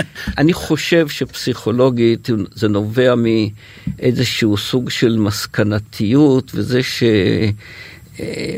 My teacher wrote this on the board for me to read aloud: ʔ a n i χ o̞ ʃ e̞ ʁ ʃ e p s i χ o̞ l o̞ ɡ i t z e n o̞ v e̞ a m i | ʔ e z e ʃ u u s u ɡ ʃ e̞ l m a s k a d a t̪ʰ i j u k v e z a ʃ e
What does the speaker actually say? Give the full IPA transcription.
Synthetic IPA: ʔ a n i χ o̞ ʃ e̞ v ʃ e p s i χ o̞ l o̞ ɡ i t z e n o̞ v e̞ a m i | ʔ e z e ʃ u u s u ɡ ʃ e̞ l m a s k a n a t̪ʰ i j u t v e z e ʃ e